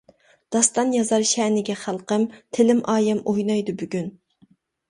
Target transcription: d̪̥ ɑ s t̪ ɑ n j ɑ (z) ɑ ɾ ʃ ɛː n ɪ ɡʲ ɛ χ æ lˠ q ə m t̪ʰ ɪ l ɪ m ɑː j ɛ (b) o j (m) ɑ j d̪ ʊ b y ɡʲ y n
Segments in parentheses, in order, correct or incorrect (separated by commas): correct, incorrect, incorrect